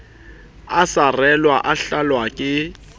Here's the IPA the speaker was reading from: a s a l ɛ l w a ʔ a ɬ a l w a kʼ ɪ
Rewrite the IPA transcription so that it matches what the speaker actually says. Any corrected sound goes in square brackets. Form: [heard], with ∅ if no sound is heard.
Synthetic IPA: a s a [r] ɛ l w a ʔ a ɬ a l w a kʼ ɪ